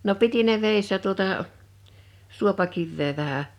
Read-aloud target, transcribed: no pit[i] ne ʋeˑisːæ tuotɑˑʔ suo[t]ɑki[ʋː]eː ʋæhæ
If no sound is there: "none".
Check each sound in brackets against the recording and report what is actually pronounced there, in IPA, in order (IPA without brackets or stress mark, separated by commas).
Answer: i, p, ʋː